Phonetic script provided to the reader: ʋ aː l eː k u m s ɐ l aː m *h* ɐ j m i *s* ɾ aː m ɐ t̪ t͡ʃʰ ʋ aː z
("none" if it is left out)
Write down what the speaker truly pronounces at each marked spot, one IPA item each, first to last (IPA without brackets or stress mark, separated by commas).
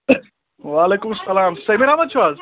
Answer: s, none